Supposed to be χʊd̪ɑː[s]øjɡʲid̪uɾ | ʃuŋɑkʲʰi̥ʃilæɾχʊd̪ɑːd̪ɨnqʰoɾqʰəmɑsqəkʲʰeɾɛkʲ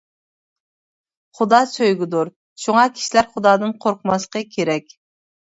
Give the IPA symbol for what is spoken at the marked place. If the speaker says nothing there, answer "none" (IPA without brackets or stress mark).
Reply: s